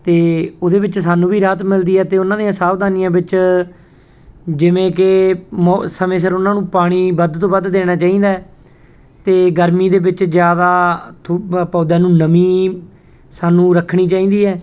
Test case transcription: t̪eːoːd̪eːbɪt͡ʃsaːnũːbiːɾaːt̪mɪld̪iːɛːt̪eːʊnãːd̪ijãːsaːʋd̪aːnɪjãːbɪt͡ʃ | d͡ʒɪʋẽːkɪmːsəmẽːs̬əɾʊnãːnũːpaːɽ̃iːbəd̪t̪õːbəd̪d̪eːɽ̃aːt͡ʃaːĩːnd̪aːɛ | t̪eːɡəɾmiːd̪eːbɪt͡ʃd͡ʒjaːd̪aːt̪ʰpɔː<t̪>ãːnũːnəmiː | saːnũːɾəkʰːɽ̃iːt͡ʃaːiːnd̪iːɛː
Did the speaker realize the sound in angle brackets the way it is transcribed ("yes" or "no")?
no